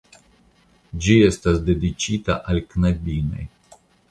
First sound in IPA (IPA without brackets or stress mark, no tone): d͡ʒ